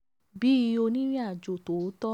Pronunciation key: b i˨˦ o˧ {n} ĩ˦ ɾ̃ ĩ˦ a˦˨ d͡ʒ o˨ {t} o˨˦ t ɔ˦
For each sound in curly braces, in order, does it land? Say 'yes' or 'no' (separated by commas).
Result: yes, yes